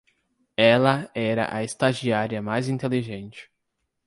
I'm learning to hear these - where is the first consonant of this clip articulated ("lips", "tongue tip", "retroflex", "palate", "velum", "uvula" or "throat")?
tongue tip